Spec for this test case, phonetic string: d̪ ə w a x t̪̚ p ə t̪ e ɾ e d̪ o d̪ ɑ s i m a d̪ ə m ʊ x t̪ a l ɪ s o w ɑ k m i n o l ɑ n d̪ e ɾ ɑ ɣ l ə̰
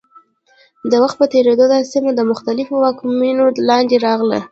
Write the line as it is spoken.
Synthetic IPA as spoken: d̪ ə w a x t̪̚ p ə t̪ e ɾ e d̪ o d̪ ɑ s i m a d̪ ə m ʊ x t̪ a l ɪ f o w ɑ k m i n o l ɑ n d̪ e ɾ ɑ ɣ l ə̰